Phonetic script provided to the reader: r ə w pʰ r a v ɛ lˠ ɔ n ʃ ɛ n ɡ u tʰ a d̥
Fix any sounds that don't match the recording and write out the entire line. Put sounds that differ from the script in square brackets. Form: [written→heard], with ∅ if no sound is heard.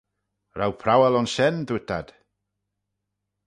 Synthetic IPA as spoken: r [ə→a] w pʰ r a [v→w] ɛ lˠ ɔ n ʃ ɛ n [ɡ→d] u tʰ a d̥